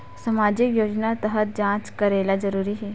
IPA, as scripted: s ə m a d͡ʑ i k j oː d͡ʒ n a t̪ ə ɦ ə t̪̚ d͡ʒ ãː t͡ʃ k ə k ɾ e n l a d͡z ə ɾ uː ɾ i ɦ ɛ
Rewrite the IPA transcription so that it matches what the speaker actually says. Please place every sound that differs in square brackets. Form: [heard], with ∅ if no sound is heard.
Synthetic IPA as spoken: s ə m a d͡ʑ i k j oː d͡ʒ n a t̪ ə ɦ ə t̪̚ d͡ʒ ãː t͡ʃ k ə [∅] ɾ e [∅] l a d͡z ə ɾ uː ɾ i ɦ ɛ